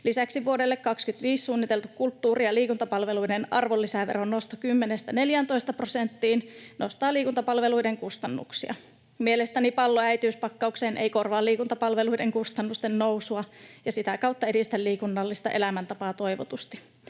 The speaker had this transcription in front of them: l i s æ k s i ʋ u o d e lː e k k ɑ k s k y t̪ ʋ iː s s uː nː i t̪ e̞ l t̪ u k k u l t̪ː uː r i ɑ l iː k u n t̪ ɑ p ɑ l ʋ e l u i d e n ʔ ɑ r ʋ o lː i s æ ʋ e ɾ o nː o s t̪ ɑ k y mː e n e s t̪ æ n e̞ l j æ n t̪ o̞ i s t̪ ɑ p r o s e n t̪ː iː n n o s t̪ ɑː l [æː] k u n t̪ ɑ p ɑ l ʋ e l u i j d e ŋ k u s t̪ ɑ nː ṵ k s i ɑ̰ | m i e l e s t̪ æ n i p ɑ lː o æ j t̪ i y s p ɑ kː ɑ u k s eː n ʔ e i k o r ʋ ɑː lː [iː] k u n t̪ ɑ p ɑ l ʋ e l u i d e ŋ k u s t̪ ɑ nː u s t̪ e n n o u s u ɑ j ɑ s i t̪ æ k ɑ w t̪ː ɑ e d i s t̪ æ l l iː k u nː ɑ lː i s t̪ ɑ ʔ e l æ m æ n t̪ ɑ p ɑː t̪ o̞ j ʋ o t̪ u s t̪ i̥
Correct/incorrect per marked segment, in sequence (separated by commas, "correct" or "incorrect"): incorrect, correct